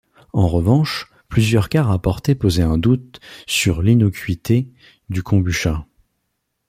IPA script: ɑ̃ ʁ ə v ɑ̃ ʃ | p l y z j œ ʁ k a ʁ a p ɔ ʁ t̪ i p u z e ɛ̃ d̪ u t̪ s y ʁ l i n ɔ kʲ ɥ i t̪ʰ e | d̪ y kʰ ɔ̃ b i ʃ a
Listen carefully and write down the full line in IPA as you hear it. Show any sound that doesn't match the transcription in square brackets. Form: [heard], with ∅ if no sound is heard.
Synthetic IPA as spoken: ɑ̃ ʁ ə v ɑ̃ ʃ | p l y z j œ ʁ k a ʁ a p ɔ ʁ t̪ [e] p [o] z e ɛ̃ d̪ u t̪ s y ʁ l i n ɔ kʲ ɥ i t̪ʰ e | d̪ y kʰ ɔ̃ b [y] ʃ a